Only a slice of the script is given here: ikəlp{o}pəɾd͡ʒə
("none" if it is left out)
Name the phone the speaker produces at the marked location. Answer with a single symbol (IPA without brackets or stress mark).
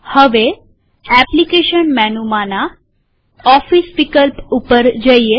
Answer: u